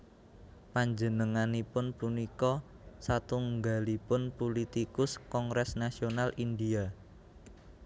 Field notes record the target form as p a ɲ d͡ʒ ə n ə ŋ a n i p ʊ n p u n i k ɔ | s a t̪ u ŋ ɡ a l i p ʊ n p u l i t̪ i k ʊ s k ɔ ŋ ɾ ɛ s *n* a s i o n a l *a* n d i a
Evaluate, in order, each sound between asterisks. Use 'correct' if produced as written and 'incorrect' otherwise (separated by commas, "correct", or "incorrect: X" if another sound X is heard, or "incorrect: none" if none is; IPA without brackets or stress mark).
correct, incorrect: i